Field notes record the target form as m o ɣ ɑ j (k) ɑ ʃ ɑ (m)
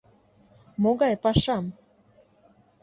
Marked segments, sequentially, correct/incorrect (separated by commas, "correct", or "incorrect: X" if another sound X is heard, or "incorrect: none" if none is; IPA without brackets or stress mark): incorrect: p, correct